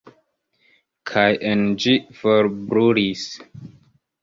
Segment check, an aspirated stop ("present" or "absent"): present